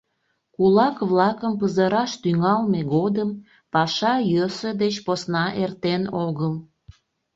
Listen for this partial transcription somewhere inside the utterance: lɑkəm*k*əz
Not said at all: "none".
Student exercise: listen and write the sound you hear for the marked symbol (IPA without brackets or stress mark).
p